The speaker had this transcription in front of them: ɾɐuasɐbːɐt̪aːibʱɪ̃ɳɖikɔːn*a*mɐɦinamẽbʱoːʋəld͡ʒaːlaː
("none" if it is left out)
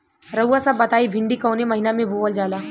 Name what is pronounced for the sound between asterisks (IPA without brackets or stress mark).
e